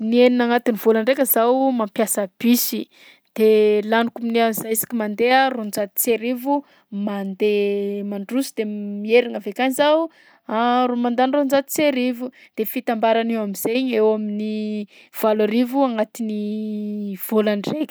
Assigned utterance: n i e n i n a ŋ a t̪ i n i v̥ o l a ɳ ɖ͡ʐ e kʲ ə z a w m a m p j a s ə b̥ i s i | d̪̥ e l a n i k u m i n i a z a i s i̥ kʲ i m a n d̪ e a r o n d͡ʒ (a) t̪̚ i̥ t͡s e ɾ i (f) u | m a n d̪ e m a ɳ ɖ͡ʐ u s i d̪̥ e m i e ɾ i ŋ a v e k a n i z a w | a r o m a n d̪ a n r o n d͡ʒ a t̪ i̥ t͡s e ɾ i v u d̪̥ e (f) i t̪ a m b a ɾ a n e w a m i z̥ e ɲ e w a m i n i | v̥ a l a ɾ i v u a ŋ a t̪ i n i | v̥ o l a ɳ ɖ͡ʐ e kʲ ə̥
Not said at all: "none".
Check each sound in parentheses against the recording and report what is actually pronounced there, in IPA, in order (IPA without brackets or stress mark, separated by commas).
a, v, f